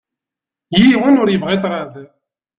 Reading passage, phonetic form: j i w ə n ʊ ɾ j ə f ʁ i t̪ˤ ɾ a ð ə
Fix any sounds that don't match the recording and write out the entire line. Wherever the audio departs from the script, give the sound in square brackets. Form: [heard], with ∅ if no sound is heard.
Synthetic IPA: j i w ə n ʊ ɾ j ə [v] ʁ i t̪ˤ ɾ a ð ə